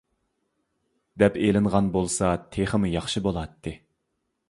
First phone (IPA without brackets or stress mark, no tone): d̪